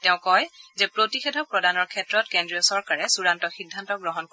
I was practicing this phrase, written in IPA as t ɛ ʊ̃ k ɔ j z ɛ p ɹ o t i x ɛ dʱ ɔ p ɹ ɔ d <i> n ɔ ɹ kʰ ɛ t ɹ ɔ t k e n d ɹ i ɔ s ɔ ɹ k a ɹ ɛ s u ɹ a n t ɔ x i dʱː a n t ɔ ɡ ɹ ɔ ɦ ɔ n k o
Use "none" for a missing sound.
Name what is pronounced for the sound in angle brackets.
a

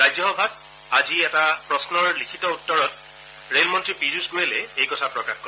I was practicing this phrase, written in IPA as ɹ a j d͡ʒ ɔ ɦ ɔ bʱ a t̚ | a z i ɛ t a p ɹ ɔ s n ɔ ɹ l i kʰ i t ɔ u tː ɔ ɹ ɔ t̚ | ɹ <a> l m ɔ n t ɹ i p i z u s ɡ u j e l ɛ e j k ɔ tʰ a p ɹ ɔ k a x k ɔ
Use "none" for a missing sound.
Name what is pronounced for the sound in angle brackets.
e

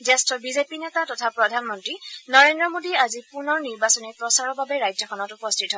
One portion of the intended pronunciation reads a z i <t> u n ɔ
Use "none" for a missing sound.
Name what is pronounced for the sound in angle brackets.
p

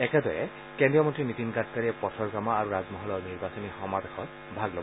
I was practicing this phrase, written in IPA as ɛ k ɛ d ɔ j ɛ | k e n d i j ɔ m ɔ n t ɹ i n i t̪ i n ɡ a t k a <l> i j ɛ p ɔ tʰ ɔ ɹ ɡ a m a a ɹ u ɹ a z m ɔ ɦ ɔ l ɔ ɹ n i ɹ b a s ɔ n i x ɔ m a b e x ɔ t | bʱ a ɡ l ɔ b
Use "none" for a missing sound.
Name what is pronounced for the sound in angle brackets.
ɹ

